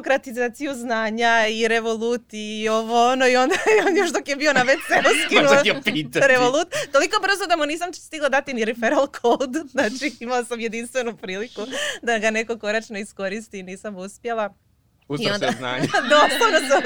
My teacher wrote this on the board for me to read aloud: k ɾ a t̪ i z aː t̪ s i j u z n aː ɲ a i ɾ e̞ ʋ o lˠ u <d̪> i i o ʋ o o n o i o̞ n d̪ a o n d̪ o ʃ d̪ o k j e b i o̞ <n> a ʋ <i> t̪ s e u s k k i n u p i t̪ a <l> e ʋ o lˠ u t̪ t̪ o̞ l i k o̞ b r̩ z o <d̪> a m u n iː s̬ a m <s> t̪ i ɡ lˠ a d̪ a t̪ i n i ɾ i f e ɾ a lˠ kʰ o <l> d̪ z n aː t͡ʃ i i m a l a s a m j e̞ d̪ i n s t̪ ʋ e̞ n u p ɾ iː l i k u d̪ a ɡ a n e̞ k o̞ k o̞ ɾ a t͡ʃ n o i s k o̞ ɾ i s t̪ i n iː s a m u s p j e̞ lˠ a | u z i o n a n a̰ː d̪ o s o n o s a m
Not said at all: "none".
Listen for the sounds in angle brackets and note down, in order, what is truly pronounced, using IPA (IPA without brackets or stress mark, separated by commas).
t̪, n, e, ɾ, d̪, s, l